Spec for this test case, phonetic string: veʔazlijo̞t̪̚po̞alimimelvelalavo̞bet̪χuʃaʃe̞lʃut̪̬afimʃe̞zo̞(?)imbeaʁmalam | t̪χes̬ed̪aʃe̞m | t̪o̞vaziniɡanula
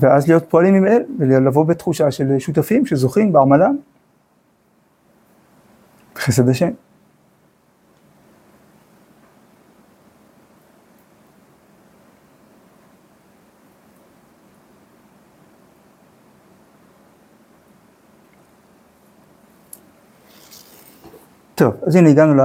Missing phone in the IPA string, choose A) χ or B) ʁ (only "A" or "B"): A